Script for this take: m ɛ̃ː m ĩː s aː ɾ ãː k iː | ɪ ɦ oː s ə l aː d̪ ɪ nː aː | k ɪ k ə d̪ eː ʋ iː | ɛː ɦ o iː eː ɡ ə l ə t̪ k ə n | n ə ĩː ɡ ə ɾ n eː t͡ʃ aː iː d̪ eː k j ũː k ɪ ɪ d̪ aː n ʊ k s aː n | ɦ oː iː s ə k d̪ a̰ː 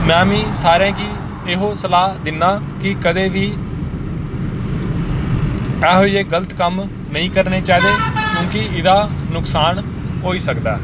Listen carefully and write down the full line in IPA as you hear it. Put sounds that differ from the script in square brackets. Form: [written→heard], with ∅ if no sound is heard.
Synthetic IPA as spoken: m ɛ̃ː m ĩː s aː ɾ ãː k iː | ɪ ɦ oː s ə l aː d̪ ɪ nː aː | k ɪ k ə d̪ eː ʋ iː | ɛː ɦ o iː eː ɡ ə l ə t̪ k ə [n→m] | n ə ĩː [ɡ→k] ə ɾ n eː t͡ʃ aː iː d̪ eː k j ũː k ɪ ɪ d̪ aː n ʊ k s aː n | ɦ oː iː s ə k d̪ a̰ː